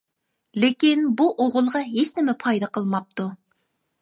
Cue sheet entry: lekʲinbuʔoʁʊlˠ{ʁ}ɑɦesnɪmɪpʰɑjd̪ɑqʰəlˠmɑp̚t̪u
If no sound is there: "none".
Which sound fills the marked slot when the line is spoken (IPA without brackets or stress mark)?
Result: ʁ